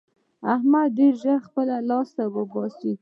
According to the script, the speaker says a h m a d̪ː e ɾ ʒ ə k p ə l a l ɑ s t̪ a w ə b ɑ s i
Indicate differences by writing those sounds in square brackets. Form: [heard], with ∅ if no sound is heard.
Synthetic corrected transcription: a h m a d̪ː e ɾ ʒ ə [x] p ə l a l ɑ s t̪ a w ə b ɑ s i